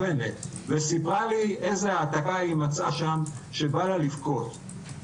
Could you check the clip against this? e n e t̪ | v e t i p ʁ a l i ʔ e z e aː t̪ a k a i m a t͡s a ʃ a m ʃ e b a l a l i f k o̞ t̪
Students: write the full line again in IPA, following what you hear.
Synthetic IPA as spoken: e n e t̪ | v e s i p ʁ a l i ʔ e z e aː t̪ a k a i m a t͡s a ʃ a m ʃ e b a l a l i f k o̞ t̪

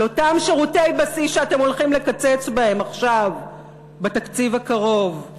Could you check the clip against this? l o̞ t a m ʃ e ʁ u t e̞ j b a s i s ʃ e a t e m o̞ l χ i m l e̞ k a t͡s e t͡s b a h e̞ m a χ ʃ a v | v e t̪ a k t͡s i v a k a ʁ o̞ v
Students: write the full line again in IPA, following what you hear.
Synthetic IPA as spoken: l o̞ t a m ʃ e ʁ u t e̞ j b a s i s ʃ e a t e m o̞ l χ i m l e̞ k a t͡s e t͡s b a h e̞ m a χ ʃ a v | b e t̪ a k t͡s i v a k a ʁ o̞ v

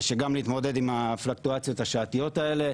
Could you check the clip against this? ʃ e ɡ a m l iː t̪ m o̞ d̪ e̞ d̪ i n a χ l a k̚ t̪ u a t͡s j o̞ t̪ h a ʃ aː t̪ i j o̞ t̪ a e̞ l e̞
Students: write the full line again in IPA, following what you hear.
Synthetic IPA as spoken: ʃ e ɡ a m l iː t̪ m o̞ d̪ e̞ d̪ i m a f l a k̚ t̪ u a t͡s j o̞ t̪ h a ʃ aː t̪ i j o̞ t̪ a e̞ l e̞

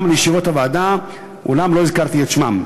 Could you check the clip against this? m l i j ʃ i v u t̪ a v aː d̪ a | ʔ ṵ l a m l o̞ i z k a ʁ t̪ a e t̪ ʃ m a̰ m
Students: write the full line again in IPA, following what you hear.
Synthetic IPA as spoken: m l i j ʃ i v o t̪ a v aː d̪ a | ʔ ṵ l a m l o̞ i z k a ʁ t̪ i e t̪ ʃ m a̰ m

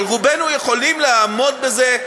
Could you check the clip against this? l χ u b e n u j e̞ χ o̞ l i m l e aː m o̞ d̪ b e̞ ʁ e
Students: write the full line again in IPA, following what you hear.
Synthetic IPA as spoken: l ʁ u b e n u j e̞ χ o̞ l i m l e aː m o̞ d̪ b e̞ z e

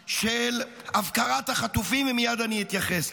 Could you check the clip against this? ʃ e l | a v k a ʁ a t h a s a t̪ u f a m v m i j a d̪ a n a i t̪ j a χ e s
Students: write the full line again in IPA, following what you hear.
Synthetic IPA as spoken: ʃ e l | a v k a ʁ a t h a χ a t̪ u f i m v m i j a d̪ a n i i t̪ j a χ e s

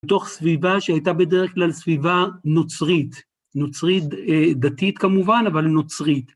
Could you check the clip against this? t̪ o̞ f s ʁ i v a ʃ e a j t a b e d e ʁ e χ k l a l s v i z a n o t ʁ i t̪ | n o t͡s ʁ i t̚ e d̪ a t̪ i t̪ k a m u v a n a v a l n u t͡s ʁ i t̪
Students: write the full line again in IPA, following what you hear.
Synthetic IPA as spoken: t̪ o̞ χ s v i v a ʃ e a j t a b e d e ʁ e χ k l a l s v i v a n o t͡s ʁ i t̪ | n o t͡s ʁ i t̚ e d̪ a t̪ i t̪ k a m u v a n a v a l n o t͡s ʁ i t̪

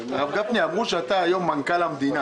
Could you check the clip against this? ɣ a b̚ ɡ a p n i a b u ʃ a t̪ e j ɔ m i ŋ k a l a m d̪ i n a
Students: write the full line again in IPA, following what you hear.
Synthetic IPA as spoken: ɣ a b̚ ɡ a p n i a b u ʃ a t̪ a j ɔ m a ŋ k a l a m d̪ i n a

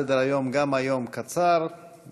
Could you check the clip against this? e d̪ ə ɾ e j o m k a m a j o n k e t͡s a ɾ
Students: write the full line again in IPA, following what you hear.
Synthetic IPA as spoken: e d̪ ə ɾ a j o m ɡ a m a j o m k a t͡s a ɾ

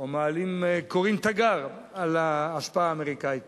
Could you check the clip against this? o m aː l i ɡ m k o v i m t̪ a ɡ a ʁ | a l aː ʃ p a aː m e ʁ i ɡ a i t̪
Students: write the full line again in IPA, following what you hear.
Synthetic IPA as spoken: o m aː l i m k o ʁ i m t̪ a ɡ a ʁ | a l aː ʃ p a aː m e ʁ i k a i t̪

